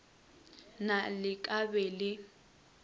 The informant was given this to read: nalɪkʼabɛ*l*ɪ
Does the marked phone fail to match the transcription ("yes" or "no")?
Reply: no